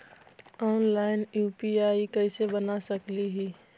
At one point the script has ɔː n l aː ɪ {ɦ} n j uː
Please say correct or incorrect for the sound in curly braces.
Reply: incorrect: none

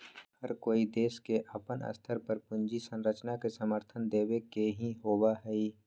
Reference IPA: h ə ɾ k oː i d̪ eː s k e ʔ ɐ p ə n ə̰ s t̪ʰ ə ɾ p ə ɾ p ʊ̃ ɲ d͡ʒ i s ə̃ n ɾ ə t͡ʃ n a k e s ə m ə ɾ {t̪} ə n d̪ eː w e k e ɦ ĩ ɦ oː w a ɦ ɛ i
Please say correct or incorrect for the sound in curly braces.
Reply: incorrect: t̪ʰ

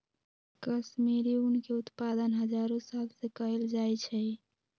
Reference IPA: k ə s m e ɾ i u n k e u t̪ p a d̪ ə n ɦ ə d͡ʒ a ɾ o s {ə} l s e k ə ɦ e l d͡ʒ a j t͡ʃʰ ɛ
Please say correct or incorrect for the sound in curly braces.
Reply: incorrect: a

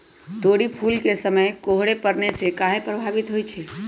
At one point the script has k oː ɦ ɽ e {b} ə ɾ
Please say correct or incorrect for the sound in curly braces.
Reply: incorrect: p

